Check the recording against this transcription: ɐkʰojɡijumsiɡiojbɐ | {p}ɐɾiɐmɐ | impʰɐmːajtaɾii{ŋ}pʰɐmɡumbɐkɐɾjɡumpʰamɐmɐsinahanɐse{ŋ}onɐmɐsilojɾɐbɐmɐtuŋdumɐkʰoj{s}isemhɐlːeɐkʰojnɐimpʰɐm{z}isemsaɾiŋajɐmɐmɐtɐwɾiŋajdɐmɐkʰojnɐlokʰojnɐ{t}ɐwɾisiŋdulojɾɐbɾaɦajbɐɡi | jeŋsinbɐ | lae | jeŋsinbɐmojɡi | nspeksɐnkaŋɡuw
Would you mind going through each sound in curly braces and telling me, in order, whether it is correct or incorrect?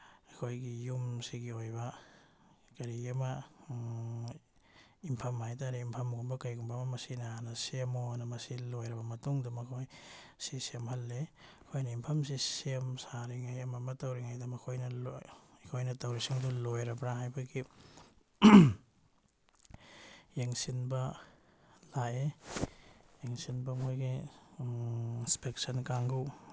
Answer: incorrect, incorrect, incorrect, correct, incorrect, correct

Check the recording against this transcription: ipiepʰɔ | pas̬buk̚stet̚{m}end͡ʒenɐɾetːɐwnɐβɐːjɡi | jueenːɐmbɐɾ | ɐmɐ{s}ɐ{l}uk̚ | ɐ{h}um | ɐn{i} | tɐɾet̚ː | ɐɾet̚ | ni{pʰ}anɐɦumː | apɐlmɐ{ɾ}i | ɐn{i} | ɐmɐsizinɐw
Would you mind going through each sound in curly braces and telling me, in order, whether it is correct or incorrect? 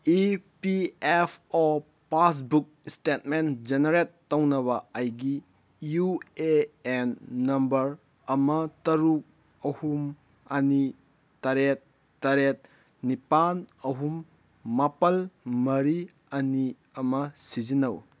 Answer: correct, incorrect, incorrect, correct, correct, incorrect, correct, correct

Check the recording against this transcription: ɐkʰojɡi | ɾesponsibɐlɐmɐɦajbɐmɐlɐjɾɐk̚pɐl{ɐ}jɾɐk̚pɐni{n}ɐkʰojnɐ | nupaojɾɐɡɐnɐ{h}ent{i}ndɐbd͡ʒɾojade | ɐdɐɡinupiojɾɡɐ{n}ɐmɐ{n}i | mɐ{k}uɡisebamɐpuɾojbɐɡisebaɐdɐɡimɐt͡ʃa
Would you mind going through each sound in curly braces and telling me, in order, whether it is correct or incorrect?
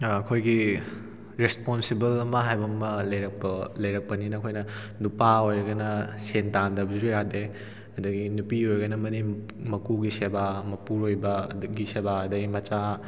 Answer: correct, correct, incorrect, incorrect, correct, correct, correct

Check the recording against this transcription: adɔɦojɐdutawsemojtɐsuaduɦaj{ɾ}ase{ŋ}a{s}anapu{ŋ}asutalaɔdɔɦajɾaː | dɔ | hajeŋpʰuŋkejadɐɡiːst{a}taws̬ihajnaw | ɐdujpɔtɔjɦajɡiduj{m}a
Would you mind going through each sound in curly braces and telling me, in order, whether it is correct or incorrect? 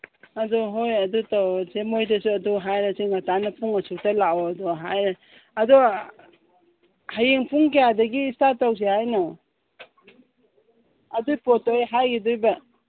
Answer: correct, correct, incorrect, correct, correct, incorrect

